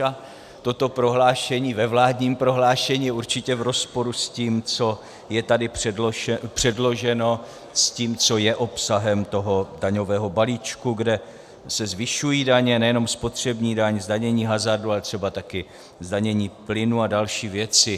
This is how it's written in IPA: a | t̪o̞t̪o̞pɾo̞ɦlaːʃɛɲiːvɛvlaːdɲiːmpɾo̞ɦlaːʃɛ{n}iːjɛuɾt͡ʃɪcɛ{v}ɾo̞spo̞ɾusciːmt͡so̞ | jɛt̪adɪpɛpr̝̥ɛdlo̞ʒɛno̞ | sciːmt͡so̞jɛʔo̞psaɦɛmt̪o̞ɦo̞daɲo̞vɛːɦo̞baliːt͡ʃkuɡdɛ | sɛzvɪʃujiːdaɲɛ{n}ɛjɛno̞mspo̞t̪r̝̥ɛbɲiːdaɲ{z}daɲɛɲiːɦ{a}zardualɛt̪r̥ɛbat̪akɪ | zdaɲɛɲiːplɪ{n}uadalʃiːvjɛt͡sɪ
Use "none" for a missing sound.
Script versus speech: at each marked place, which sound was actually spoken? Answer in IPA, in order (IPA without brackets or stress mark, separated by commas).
ɲ, v, n, z, a, n